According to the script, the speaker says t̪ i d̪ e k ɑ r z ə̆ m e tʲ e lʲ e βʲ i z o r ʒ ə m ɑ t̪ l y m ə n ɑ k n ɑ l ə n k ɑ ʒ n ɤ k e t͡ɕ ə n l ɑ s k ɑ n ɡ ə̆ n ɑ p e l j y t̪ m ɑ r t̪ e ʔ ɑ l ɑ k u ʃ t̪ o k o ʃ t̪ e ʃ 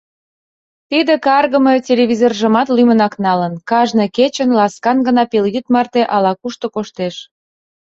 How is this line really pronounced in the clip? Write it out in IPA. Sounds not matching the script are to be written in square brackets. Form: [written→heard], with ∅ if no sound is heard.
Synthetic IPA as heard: t̪ i d̪ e k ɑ r [z→ɣ] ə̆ m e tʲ e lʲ e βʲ i z o r ʒ ə m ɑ t̪ l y m ə n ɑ k n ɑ l ə n k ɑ ʒ n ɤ k e t͡ɕ ə n l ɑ s k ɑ n ɡ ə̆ n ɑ p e l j y t̪ m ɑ r t̪ e ʔ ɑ l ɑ k u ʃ t̪ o k o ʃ t̪ e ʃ